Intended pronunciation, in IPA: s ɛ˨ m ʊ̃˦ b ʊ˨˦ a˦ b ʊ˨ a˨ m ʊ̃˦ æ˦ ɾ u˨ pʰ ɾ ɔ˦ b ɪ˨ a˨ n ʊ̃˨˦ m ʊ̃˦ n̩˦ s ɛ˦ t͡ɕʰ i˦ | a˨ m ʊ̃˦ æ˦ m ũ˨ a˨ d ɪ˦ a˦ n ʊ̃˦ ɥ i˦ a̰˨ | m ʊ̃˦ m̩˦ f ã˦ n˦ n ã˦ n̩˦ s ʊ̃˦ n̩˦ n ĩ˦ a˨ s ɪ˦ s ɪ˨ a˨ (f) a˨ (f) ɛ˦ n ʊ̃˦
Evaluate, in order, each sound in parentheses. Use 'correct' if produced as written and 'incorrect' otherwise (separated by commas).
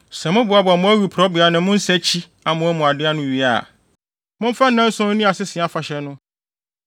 correct, incorrect